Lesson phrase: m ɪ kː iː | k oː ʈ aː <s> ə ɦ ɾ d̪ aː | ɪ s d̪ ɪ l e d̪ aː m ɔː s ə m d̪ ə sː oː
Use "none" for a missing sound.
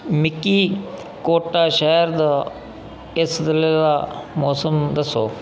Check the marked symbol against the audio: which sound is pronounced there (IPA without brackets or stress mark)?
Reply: ʃ